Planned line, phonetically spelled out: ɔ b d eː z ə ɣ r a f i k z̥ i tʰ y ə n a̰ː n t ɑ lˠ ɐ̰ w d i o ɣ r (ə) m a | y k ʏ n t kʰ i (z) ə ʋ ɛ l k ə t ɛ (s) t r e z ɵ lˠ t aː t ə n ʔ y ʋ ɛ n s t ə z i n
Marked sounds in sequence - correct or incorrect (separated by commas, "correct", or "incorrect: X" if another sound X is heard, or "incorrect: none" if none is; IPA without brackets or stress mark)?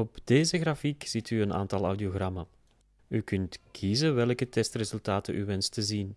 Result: incorrect: ɑ, correct, correct